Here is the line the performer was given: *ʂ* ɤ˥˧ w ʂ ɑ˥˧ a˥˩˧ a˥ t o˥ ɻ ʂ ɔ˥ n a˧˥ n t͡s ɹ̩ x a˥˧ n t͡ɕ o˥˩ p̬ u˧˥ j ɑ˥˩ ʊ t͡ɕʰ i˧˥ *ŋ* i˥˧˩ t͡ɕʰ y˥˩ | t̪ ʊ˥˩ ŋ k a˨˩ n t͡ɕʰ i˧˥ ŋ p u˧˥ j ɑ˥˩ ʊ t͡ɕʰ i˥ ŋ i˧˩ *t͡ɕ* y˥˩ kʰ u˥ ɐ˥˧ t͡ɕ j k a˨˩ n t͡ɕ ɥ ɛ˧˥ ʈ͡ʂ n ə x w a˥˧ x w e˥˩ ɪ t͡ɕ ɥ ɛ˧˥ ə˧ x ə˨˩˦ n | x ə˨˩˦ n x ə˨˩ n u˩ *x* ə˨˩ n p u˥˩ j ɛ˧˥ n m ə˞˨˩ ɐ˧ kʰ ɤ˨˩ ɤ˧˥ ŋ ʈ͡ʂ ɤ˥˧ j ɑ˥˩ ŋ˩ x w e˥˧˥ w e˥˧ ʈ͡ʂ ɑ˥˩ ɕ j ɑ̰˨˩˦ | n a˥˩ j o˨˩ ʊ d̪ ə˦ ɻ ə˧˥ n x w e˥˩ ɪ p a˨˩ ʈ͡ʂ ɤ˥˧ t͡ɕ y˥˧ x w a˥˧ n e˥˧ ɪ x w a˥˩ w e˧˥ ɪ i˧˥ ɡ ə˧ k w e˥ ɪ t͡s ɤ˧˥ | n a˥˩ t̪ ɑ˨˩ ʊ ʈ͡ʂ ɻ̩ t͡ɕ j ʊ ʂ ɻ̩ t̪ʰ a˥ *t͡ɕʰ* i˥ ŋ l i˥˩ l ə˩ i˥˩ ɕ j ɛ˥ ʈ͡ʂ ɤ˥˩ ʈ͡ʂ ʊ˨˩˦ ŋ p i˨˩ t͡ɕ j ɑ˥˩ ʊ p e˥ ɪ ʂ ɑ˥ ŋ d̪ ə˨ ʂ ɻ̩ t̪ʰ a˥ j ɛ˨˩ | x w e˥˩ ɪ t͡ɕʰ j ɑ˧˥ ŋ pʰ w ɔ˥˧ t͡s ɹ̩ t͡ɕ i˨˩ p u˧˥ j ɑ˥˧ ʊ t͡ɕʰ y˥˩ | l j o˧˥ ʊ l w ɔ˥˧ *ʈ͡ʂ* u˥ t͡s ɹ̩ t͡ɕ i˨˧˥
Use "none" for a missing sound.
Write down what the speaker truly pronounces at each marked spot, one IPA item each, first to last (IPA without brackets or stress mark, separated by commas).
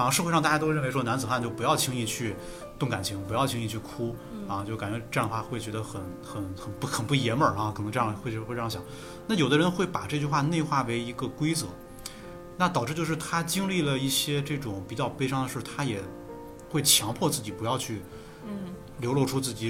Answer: ʂ, ŋ, t͡ɕʰ, x, t͡ɕ, ʈ͡ʂʰ